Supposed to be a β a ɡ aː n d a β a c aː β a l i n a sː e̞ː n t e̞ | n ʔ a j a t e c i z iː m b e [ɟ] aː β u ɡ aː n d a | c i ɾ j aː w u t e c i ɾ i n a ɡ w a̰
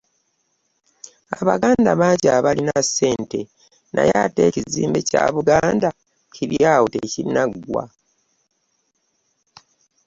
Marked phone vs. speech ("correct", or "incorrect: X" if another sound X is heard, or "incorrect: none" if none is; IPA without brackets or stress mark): incorrect: c